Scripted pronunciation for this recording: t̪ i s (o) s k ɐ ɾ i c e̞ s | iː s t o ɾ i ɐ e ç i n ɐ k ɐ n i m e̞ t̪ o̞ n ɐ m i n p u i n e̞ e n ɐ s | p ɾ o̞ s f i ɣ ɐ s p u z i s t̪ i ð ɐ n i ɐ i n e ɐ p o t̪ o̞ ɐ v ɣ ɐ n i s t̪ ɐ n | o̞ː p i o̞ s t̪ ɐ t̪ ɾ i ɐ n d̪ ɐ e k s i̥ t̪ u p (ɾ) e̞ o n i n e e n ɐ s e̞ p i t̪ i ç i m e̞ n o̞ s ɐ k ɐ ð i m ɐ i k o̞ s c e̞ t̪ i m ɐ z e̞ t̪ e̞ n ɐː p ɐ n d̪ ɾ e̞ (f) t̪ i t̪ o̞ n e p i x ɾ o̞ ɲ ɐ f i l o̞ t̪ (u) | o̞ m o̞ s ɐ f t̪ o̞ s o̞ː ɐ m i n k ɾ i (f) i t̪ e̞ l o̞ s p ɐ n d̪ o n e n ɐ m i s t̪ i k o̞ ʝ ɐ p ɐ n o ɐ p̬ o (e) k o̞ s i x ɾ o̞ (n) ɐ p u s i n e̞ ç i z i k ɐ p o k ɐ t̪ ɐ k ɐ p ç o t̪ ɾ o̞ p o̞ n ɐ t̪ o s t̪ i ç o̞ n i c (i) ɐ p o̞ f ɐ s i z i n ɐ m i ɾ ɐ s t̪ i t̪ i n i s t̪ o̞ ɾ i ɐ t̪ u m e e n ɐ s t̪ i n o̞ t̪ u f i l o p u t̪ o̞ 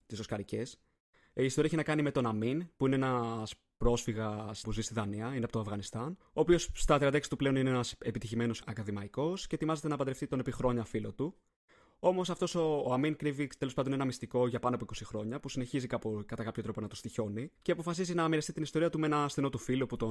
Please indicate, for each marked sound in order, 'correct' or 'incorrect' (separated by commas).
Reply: correct, incorrect, correct, correct, incorrect, incorrect, incorrect, incorrect